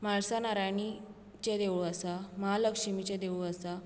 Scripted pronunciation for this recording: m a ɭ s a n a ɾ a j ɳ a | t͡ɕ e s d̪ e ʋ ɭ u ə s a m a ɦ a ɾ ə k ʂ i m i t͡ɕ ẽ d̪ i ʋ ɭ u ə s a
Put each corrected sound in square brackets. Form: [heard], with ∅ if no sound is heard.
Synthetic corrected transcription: m a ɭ s a n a ɾ a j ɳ [i] | t͡ɕ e [∅] d̪ e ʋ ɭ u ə s a m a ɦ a [l] ə k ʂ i m i t͡ɕ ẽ d̪ [e] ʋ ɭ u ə s a